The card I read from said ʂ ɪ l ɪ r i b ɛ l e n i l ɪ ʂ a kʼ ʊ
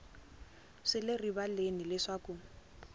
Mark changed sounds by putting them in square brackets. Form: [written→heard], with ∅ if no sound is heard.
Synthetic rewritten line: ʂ ɪ l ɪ r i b [ɛ→a] l e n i l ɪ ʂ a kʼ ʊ